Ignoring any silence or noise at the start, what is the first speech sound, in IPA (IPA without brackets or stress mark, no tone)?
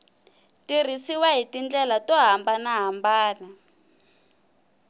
t